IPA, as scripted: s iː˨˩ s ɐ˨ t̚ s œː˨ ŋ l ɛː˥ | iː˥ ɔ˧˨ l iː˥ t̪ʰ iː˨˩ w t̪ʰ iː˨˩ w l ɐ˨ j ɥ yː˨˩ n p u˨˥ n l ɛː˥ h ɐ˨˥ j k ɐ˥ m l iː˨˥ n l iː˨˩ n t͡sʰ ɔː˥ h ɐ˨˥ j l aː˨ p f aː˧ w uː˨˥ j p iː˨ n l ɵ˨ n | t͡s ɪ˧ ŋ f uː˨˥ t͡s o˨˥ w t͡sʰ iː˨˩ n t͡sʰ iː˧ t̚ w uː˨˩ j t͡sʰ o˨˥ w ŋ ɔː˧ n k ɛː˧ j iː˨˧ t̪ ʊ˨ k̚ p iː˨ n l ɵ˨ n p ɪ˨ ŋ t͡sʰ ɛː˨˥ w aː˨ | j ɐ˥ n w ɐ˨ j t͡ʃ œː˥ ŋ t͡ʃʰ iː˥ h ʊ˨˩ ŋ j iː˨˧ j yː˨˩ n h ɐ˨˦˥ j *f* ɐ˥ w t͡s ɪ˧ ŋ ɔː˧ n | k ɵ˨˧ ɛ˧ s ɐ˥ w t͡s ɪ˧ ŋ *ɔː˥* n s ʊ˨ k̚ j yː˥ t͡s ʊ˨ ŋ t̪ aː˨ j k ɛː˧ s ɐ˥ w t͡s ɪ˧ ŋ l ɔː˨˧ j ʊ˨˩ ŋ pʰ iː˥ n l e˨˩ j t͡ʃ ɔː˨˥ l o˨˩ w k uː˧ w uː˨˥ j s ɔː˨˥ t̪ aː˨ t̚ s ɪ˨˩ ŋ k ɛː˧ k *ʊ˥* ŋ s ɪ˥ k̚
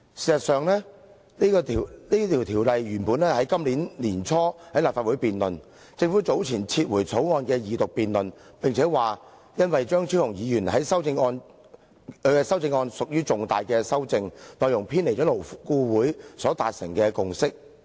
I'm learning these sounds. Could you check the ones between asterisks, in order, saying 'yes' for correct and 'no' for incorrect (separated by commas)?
no, no, no